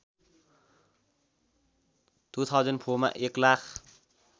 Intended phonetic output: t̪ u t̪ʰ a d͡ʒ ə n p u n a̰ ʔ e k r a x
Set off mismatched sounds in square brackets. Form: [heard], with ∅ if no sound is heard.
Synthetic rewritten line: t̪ u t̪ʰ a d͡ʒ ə n [pʰ] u [m] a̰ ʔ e k [l] a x